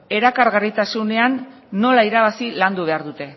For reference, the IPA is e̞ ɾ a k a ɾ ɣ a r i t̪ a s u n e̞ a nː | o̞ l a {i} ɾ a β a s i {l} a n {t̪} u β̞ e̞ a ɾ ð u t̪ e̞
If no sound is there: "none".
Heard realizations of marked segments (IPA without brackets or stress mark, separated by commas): i, l, d̪